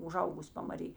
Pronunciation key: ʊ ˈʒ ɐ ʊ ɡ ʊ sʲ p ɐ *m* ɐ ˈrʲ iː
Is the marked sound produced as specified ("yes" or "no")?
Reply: yes